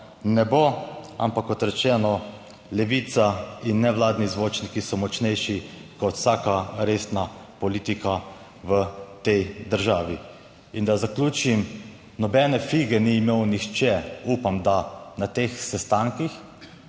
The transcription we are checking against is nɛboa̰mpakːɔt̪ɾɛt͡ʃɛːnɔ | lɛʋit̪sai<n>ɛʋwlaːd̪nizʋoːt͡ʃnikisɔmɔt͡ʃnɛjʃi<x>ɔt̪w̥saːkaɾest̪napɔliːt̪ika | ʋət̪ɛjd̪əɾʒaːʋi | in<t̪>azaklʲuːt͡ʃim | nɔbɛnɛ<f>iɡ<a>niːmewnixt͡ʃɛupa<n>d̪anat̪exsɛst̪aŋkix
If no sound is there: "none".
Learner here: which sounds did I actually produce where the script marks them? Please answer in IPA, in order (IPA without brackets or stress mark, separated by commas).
nː, k, d̪, f, ɛ, m